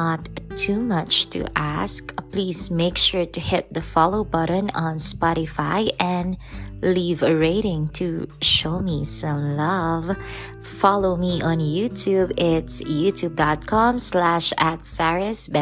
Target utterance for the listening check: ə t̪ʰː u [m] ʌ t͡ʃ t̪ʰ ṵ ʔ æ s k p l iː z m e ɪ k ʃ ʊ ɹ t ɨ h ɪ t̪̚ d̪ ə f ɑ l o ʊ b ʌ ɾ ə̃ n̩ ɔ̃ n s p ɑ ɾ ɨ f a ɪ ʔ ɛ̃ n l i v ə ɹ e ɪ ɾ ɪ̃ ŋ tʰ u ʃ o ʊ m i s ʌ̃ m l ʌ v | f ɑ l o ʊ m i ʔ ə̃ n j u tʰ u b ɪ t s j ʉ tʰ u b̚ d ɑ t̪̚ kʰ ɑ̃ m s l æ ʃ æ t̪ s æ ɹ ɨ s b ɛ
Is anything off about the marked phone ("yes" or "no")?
no